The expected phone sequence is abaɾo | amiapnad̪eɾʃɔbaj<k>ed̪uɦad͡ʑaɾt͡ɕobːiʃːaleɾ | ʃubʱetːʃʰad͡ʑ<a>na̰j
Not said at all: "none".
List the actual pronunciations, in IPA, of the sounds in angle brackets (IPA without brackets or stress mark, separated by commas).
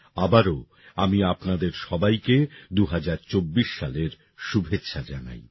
k, a